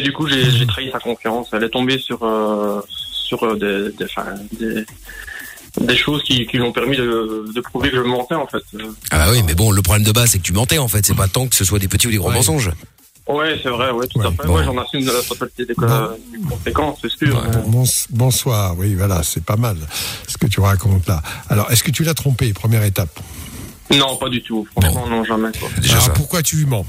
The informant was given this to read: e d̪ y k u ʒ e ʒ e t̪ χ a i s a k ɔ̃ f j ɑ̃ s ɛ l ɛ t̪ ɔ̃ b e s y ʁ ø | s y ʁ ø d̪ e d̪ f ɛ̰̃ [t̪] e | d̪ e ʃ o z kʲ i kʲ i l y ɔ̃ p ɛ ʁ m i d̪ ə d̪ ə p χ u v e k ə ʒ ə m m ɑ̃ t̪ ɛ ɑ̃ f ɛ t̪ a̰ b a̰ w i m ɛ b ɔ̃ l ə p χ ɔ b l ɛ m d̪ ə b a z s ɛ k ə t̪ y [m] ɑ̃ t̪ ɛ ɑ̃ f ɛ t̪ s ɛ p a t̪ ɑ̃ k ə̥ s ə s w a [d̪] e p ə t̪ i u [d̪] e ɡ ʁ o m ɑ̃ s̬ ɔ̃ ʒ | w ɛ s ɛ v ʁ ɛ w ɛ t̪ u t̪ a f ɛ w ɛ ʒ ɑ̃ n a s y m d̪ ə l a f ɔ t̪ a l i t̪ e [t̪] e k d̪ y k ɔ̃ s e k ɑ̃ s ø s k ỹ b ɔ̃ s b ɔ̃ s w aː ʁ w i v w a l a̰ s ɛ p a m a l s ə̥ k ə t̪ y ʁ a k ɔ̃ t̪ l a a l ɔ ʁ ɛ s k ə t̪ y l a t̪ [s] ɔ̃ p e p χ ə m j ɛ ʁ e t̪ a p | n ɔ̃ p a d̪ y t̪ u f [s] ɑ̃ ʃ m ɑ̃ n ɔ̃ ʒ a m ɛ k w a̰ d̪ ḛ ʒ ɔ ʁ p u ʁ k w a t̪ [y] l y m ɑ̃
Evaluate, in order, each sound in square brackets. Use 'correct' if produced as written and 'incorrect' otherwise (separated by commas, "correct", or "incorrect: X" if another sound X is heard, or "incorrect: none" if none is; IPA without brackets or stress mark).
incorrect: d̪, correct, correct, correct, incorrect: d̪, incorrect: χ, incorrect: χ, correct